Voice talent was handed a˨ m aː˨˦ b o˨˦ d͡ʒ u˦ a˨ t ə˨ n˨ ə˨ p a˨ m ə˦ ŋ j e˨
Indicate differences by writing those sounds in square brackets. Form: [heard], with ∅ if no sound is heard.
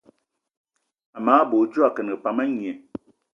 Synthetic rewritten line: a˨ m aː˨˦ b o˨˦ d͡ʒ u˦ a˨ [k] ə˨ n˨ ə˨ p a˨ m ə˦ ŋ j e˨